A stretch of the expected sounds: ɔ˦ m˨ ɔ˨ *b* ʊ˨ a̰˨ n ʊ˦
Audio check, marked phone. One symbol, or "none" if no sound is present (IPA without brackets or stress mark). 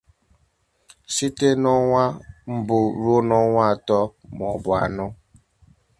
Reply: b